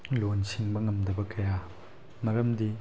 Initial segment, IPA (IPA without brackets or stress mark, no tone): l